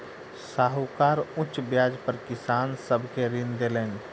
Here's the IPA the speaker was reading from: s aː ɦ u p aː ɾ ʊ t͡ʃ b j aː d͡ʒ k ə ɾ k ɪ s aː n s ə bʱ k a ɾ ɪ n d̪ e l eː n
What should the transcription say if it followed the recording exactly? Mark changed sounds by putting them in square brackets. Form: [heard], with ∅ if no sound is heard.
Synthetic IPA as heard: s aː ɦ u [k] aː ɾ ʊ t͡ʃ b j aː d͡ʒ [p] ə ɾ k ɪ s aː n s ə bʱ k [e] ɾ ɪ n d̪ e l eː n